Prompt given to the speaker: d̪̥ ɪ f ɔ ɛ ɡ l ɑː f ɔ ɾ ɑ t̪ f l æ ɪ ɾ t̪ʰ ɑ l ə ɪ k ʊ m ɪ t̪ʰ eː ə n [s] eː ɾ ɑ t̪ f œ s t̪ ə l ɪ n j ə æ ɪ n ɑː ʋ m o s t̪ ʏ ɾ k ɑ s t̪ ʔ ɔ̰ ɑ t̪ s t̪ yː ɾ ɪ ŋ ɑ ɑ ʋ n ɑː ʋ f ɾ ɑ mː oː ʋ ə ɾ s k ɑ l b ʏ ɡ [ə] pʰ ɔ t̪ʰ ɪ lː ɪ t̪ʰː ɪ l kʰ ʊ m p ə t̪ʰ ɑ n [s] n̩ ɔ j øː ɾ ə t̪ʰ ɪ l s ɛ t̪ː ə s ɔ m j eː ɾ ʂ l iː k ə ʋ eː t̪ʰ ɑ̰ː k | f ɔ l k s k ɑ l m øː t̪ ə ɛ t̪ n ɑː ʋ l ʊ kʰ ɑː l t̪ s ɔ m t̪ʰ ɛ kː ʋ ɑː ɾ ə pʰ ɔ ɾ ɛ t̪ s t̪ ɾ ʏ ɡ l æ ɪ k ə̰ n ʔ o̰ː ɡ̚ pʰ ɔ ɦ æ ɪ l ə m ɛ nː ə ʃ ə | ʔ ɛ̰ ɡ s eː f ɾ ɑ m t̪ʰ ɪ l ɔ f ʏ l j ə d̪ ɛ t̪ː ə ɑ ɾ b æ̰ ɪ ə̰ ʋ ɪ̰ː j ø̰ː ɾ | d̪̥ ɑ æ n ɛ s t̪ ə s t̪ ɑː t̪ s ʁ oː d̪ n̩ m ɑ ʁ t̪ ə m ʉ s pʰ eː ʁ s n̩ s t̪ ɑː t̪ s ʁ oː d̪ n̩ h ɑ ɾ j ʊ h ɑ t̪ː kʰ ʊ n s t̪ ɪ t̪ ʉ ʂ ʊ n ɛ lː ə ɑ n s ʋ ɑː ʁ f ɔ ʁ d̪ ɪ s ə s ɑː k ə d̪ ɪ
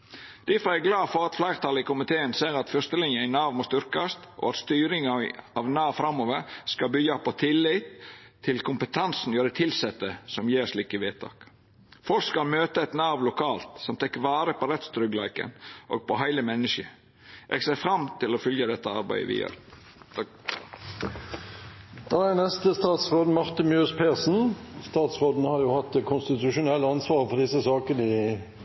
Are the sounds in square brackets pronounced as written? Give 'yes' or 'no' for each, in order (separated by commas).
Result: yes, no, yes